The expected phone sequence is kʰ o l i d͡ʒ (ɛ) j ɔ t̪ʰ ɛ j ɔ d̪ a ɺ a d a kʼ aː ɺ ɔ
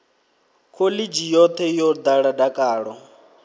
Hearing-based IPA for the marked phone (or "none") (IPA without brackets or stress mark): i